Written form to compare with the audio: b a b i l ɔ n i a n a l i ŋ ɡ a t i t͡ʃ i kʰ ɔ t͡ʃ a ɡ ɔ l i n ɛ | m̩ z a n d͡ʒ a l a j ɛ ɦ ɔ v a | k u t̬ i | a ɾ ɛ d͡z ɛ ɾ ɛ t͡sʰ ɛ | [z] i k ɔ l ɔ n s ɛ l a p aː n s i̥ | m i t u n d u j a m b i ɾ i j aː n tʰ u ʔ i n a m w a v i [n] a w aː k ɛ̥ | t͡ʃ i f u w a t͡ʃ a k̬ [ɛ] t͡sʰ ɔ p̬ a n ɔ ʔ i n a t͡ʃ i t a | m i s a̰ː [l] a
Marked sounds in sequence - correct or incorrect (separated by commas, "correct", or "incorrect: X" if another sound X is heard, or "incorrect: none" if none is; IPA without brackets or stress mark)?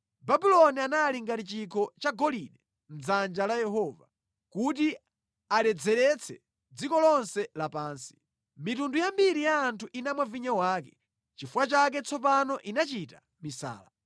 incorrect: d͡z, incorrect: ɲ, correct, correct